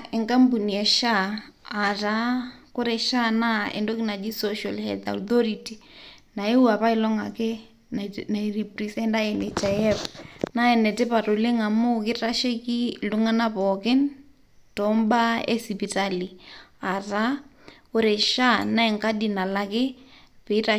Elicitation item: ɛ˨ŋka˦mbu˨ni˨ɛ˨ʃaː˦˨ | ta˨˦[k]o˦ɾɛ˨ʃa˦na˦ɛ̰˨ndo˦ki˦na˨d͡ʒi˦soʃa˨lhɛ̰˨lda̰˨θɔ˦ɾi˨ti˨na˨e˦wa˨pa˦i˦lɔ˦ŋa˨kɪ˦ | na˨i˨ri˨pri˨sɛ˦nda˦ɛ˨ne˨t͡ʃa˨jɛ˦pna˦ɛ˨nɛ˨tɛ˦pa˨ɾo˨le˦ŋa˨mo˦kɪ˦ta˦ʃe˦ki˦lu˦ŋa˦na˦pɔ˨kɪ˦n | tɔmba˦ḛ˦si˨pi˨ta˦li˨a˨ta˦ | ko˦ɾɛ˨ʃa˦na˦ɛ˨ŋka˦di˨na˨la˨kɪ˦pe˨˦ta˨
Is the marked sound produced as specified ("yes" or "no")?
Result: yes